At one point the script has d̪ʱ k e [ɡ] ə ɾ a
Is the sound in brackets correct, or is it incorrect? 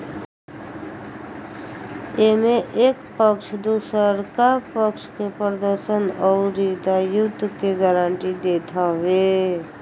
correct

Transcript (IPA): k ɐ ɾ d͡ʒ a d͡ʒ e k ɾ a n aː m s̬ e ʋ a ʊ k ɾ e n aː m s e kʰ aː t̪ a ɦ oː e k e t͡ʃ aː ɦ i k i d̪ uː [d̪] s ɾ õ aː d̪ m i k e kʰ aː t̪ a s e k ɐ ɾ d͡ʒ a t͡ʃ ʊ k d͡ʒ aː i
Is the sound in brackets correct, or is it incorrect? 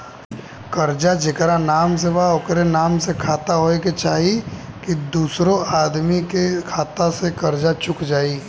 incorrect: none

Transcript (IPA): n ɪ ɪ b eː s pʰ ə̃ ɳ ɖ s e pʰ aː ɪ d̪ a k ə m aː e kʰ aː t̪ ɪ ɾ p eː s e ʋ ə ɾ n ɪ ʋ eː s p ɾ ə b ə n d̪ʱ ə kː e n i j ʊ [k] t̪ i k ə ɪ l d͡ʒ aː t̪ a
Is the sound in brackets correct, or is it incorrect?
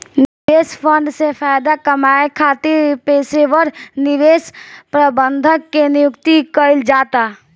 correct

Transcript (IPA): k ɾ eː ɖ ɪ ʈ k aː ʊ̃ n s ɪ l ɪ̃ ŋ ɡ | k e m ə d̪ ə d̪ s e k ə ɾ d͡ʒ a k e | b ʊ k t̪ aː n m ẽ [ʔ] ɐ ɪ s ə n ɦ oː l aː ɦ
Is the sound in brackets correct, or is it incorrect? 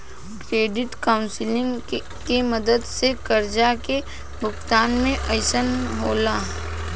correct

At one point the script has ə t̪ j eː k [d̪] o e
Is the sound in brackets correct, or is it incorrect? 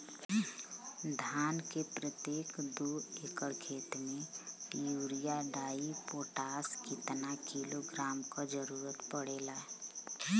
correct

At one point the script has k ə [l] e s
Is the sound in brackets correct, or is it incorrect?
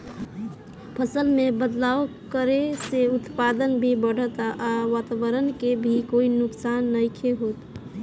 incorrect: ɾ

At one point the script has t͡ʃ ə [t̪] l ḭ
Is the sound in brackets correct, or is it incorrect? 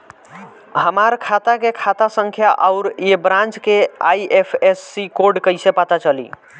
incorrect: none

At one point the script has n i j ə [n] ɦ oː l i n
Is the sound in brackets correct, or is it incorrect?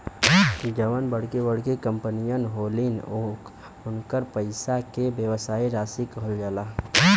correct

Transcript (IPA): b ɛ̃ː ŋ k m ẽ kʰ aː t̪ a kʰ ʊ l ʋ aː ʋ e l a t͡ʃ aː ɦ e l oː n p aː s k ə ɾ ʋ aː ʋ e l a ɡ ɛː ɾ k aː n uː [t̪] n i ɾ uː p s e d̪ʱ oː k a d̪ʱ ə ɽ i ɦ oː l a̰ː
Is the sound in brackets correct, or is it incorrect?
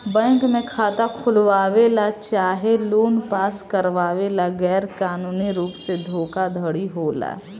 incorrect: none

